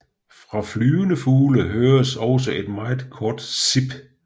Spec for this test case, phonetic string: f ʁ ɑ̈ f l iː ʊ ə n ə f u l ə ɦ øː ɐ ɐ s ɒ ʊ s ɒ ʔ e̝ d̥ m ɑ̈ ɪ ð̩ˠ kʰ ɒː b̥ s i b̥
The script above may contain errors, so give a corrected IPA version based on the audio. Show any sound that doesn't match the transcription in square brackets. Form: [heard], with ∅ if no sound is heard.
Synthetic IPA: f ʁ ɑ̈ f l [yː] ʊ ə n ə f [uː] l ə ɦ øː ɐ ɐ s ɒ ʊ s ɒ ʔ e̝ d̥ m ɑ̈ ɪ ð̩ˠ kʰ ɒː [d̥] s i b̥